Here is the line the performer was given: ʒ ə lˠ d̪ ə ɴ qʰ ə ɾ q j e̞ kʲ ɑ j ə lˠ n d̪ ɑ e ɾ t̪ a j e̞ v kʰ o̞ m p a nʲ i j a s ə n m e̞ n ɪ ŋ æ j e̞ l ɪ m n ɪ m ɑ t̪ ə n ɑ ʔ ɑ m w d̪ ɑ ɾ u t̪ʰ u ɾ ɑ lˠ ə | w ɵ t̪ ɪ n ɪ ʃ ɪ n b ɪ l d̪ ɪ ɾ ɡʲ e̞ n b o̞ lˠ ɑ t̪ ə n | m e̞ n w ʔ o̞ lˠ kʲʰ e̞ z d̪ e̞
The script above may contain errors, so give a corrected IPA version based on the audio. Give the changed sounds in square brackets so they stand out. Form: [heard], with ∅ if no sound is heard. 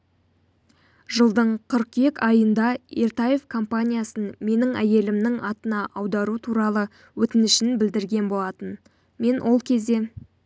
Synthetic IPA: ʒ ə lˠ d̪ ə ɴ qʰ ə ɾ q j e̞ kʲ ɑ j ə [∅] n d̪ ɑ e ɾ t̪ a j e̞ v kʰ o̞ m p a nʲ i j a s ə n m e̞ n ɪ ŋ æ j e̞ l ɪ m n ɪ [ŋ] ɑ t̪ ə n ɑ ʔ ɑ [∅] w d̪ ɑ ɾ u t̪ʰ u ɾ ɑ lˠ ə | w ɵ t̪ ɪ n ɪ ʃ ɪ n b ɪ l d̪ ɪ ɾ ɡʲ e̞ n b o̞ lˠ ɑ t̪ ə n | m e̞ n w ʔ o̞ lˠ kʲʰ e̞ z d̪ e̞